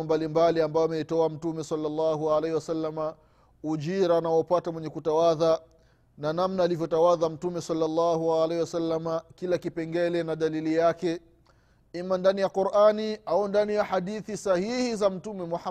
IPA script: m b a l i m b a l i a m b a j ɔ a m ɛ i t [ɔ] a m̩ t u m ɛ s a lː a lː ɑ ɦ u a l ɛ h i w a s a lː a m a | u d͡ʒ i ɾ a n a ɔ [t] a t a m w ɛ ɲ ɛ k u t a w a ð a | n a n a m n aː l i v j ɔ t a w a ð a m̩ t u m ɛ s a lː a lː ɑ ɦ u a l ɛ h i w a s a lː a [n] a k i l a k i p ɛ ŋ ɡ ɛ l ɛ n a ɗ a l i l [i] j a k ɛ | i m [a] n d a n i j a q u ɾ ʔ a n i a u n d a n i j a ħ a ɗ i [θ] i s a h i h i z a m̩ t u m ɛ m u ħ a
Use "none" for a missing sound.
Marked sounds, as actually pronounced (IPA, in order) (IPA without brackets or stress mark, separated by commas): ɔ, p, m, i, a, θ